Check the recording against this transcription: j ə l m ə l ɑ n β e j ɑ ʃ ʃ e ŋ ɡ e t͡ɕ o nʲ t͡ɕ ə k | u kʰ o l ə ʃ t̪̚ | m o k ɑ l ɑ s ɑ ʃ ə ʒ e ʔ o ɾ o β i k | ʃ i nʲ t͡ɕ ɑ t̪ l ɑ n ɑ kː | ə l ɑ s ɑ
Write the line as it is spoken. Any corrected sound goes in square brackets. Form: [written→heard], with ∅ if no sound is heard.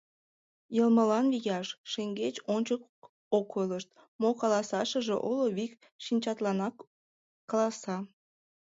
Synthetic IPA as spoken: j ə l m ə l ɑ n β [e→i] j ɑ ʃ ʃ e ŋ ɡ e t͡ɕ o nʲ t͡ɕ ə k | [u→o] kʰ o l ə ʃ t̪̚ | m o k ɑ l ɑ s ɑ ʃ ə ʒ e ʔ o [ɾ→l] o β i k | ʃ i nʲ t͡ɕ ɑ t̪ l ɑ n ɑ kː | [ə→ɑ] l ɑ s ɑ